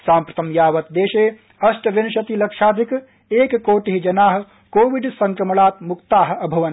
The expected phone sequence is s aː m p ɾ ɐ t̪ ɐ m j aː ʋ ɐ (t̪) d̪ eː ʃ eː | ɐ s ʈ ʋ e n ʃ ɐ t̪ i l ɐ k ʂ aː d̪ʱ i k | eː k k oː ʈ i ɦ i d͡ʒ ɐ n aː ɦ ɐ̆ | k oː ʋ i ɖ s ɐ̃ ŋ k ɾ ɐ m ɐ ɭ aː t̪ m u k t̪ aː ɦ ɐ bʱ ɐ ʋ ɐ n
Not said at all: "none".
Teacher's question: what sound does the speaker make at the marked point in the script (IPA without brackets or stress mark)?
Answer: t̪